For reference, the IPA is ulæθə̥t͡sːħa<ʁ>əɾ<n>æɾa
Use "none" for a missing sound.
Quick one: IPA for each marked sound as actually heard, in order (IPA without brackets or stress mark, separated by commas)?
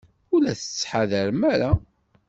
ð, m